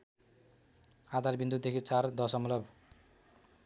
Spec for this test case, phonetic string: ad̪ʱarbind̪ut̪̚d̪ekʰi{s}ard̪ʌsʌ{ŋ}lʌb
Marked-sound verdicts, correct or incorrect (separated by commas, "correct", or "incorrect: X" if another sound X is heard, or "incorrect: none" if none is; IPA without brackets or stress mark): incorrect: t͡s, incorrect: m